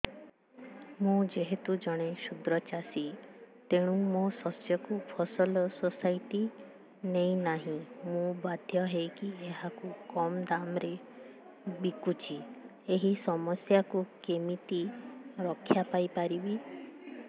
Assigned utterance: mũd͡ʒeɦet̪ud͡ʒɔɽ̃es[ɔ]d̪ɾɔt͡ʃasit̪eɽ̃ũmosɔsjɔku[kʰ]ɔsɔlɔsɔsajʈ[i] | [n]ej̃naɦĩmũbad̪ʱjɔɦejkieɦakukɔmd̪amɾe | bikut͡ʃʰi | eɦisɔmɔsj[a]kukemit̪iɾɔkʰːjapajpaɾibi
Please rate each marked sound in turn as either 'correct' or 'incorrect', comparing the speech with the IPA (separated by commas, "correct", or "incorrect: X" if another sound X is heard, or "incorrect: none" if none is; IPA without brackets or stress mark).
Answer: incorrect: u, incorrect: pʰ, correct, correct, correct